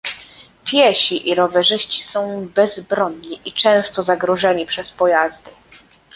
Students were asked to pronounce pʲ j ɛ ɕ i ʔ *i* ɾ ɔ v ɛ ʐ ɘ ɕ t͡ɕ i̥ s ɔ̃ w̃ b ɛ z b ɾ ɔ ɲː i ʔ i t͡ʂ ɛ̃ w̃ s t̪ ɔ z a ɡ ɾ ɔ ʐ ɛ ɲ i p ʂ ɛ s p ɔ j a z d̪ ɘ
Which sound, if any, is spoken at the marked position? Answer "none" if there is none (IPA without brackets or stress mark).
i